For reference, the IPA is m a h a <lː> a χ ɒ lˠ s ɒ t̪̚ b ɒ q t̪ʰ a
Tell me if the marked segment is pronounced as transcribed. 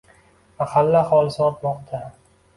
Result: yes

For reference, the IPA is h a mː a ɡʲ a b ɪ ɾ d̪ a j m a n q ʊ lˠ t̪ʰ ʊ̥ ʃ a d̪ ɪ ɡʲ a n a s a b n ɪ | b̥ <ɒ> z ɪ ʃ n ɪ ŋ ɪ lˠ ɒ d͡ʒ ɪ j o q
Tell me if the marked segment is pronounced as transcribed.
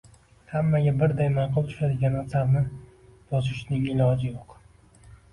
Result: yes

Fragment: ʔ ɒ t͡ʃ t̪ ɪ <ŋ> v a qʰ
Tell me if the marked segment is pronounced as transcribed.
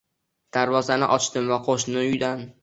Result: no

